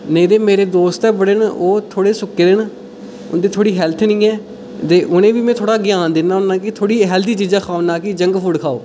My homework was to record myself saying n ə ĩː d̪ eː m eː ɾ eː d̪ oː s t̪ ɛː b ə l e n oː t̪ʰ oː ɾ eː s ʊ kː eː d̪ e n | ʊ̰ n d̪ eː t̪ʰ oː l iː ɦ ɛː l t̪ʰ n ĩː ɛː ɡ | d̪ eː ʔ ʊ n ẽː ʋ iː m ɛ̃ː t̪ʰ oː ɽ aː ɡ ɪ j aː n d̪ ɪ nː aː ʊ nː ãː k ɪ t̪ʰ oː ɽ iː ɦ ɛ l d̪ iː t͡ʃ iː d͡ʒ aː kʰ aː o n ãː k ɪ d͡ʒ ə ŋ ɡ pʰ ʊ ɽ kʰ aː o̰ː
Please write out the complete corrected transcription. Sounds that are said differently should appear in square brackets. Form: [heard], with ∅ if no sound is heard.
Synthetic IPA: n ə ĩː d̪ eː m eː ɾ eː d̪ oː s t̪ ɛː b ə [ɽ] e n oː t̪ʰ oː [ɽ] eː s ʊ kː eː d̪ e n | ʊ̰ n d̪ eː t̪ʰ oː [ɽ] iː ɦ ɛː l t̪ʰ n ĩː ɛː [∅] | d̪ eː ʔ ʊ n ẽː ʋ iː m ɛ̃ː t̪ʰ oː ɽ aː ɡ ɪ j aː n d̪ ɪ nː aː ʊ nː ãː k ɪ t̪ʰ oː ɽ iː ɦ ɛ l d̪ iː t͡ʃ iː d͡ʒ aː kʰ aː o n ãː k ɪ d͡ʒ ə ŋ ɡ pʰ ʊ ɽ kʰ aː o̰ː